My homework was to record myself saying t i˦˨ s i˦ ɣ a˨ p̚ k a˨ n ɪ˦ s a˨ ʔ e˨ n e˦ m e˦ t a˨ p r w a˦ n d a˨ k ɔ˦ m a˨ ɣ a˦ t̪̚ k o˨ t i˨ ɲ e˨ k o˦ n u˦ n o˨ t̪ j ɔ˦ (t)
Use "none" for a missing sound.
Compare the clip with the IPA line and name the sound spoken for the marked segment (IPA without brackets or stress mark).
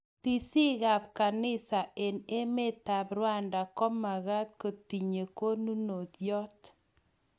t